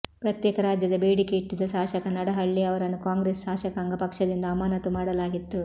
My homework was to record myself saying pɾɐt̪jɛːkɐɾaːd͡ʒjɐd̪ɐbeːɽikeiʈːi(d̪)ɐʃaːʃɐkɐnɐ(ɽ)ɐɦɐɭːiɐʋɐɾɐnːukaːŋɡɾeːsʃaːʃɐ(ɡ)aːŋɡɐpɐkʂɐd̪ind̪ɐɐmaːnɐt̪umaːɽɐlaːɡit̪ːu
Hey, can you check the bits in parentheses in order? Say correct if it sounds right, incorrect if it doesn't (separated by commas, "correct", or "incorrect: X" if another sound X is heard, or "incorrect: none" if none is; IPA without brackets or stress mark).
correct, correct, incorrect: k